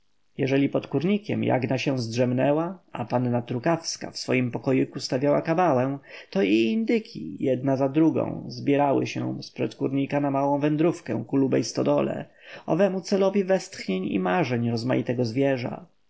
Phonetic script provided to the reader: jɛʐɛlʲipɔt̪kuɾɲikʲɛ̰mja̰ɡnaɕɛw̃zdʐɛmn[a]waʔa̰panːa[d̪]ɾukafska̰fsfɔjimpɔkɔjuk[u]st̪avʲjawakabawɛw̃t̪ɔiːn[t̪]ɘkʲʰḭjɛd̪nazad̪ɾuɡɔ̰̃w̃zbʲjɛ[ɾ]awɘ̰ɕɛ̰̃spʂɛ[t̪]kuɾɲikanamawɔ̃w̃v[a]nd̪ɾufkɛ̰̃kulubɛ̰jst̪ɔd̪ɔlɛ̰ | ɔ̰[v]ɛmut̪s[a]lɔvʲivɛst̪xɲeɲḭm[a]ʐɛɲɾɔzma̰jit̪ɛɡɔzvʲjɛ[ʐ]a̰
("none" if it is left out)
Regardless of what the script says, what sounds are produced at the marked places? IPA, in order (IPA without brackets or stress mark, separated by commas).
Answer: ɛ, t̪, u, d̪, ɾ, t̪, ɛ, v, ɛ, a, ʐ